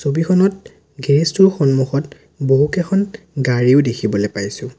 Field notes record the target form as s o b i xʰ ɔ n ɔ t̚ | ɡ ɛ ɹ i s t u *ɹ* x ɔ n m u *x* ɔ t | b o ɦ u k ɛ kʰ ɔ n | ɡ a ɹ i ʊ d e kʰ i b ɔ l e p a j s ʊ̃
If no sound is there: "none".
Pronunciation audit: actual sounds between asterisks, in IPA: ɹ, x

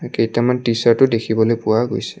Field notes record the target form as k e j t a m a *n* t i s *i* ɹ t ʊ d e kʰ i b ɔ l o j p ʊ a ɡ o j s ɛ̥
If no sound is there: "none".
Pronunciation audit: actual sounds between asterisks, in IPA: n, a

